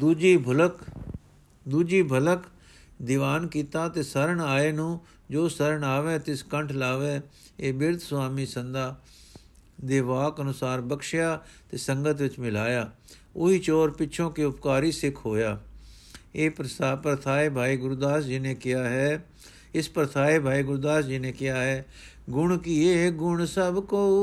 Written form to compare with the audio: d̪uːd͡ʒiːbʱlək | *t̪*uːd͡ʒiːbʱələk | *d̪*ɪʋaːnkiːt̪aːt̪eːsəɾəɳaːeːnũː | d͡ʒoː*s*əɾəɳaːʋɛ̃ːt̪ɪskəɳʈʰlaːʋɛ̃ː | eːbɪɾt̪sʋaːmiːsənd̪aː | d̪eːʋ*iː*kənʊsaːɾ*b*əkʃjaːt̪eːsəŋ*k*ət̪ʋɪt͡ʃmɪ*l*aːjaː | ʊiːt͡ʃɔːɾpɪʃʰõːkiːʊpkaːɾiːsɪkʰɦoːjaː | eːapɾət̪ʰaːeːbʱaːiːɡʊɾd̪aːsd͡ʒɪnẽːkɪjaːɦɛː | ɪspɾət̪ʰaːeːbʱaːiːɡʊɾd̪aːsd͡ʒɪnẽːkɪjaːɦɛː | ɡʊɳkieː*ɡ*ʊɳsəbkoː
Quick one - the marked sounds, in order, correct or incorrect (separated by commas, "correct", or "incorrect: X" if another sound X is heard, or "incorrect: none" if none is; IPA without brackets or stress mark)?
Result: incorrect: d̪, correct, correct, incorrect: aː, correct, incorrect: ɡ, correct, correct